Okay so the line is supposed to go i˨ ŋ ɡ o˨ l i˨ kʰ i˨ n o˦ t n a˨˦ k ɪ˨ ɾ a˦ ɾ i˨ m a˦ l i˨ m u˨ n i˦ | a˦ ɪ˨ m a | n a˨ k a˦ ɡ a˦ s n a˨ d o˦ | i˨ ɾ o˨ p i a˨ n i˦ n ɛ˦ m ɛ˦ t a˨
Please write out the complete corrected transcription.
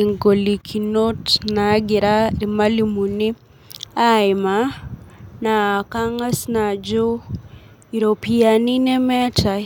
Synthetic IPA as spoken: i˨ ŋ ɡ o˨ l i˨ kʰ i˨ n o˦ t n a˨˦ ɡ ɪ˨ ɾ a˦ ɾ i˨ m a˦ l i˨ m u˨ n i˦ | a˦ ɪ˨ m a | n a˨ k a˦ ŋ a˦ s n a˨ d͡ʒ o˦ | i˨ ɾ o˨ p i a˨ n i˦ n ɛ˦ m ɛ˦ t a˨